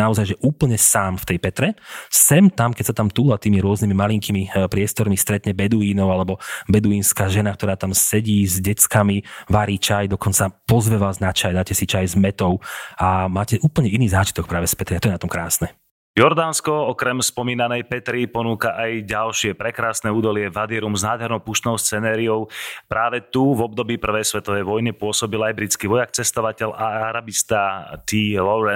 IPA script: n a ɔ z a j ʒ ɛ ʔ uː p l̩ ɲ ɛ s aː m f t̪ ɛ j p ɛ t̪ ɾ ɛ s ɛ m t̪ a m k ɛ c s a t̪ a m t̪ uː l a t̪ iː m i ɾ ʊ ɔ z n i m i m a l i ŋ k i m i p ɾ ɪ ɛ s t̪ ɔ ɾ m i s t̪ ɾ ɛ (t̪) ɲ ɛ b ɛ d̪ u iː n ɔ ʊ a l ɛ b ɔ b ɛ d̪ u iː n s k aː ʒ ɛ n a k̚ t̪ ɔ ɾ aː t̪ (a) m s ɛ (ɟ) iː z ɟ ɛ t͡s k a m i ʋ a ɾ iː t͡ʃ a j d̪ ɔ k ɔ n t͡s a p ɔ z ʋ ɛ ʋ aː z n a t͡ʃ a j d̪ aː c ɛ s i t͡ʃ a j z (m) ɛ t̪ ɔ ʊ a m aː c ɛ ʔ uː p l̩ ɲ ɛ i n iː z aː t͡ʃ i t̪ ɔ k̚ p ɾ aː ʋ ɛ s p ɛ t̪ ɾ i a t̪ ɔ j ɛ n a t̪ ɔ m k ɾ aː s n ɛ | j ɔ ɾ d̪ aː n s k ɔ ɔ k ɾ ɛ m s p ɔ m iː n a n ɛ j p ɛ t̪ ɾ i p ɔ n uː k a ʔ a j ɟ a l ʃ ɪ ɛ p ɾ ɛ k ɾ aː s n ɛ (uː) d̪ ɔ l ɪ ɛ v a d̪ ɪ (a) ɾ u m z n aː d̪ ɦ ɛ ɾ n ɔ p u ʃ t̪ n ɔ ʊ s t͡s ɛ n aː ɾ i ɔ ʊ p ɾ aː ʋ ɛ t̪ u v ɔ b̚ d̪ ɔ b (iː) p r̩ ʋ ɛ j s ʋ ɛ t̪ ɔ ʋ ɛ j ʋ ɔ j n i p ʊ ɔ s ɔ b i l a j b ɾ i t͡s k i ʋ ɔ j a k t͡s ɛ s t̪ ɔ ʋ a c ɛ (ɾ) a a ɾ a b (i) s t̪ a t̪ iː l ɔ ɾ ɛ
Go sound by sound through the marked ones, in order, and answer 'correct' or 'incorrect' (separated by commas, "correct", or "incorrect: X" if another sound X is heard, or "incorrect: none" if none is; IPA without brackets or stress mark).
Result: correct, correct, correct, correct, correct, incorrect: ɛ, correct, incorrect: l, correct